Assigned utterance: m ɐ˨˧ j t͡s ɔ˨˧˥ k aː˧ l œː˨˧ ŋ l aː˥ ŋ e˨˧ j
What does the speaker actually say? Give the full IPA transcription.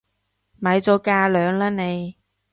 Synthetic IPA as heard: m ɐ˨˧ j t͡s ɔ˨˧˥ k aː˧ l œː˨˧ ŋ l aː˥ n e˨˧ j

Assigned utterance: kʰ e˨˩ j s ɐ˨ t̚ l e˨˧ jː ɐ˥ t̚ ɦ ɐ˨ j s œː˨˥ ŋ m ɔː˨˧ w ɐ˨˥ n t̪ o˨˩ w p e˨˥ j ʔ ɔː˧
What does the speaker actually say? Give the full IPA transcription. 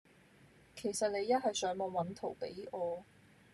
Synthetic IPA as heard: kʰ e˨˩ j s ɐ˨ t̚ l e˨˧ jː ɐ˥ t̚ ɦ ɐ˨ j s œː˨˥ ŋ m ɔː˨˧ w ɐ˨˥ n t̪ʰ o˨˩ w p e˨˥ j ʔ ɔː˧

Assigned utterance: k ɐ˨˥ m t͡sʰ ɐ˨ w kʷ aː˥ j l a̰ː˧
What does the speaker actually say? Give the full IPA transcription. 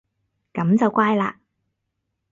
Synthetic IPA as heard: k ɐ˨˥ m t͡s ɐ˨ w kʷ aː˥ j l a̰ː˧

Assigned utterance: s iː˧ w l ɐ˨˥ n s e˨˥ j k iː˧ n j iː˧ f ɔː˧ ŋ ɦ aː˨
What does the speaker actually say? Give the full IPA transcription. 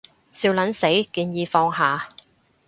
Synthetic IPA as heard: s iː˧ w l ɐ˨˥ n s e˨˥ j k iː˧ n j iː˧ f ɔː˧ ŋ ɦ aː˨

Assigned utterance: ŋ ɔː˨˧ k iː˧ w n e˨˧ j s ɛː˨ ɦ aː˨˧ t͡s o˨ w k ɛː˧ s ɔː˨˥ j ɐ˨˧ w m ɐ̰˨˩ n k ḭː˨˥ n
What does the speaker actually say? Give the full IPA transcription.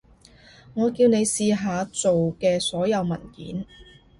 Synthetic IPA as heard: ŋ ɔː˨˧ k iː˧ w n e˨˧ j s iː˨ ɦ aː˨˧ t͡s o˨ w k ɛː˧ s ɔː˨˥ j ɐ˨˧ w m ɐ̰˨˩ n k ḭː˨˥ n

